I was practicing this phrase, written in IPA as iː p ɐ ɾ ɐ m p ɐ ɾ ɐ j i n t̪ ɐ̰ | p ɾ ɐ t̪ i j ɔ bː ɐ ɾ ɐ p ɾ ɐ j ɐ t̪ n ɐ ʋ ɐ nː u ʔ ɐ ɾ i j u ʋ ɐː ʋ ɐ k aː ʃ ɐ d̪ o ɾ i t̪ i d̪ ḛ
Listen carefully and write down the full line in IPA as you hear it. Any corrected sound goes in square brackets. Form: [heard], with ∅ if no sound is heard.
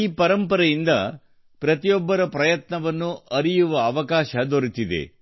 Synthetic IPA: iː p ɐ ɾ ɐ m p ɐ ɾ ɐ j i n [d̪] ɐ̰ | p ɾ ɐ t̪ i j ɔ bː ɐ ɾ ɐ p ɾ ɐ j ɐ t̪ n ɐ ʋ ɐ nː u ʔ ɐ ɾ i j u ʋ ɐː ʋ ɐ k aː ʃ ɐ d̪ o ɾ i t̪ i d̪ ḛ